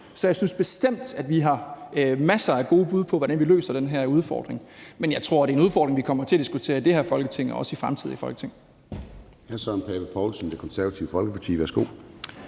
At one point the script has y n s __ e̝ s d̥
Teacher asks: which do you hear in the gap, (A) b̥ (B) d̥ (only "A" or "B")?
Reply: A